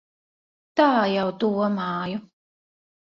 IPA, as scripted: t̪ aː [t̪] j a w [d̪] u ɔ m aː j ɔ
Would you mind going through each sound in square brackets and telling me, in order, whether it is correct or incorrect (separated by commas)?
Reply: incorrect, incorrect